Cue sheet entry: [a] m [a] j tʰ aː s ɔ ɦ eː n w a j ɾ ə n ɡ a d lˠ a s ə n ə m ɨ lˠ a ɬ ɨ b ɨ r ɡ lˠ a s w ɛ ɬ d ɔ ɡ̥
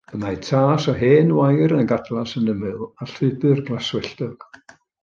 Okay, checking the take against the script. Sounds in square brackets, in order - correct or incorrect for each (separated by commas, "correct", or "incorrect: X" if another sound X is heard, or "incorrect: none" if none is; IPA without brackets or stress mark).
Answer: incorrect: ə, correct